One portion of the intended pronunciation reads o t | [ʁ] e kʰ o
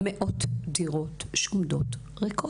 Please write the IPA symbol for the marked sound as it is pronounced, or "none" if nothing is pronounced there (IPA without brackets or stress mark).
ʁ